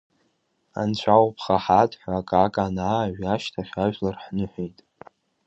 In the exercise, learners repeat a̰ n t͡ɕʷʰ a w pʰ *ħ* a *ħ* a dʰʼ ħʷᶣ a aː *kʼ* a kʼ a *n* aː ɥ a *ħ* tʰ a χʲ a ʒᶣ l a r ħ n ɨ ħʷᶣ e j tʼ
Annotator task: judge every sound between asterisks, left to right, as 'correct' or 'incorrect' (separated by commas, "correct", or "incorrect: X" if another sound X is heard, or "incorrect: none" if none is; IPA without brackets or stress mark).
incorrect: χ, correct, correct, correct, incorrect: ʃ